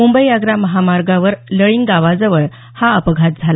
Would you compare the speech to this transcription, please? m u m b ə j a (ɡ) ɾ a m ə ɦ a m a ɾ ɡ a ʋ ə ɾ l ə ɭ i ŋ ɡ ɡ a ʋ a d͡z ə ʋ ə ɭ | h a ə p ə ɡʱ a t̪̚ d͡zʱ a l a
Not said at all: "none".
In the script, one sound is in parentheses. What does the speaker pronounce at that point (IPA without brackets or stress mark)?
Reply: ɡ